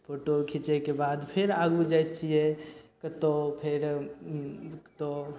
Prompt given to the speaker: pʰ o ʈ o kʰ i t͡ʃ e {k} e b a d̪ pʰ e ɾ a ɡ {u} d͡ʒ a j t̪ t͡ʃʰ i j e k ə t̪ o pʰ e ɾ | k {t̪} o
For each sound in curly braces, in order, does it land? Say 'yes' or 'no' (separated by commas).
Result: yes, yes, yes